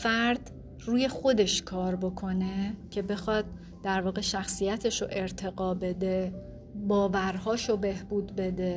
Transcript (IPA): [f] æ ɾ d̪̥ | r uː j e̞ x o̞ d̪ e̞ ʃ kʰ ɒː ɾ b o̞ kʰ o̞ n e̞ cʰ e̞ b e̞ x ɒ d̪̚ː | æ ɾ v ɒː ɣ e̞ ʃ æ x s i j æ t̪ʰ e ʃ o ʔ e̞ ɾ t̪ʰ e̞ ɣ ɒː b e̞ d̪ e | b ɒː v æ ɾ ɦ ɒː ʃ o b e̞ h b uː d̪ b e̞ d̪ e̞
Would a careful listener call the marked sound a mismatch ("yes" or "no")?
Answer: no